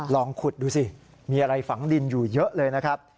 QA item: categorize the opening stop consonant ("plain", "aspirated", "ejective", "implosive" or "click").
aspirated